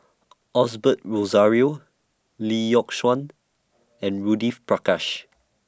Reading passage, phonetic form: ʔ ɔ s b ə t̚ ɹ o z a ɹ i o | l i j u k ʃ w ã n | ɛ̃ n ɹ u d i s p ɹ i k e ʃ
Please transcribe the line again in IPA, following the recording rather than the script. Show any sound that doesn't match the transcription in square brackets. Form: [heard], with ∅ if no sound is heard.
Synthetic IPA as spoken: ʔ ɔ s b ə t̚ ɹ o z a ɹ i o | l i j [ɔ] k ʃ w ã n | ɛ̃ n ɹ u d i [f] p ɹ [a] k [a] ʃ